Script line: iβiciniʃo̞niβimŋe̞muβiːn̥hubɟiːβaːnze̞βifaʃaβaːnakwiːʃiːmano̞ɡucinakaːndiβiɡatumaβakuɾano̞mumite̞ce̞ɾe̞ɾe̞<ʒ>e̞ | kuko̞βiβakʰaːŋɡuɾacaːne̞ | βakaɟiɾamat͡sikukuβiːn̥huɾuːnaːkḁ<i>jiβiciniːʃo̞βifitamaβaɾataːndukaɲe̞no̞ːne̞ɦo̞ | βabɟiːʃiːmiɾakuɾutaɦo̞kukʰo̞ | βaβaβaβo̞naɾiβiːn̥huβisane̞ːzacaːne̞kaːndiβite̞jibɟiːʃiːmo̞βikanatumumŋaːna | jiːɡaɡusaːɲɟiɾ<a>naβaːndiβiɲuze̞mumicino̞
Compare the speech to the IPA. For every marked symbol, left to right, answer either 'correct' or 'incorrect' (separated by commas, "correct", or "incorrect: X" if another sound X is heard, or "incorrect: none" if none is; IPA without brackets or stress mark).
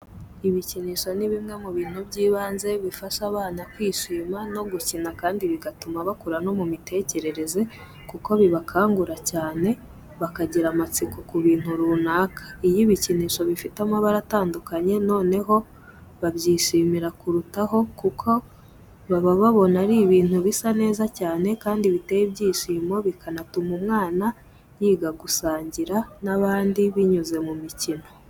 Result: incorrect: z, correct, correct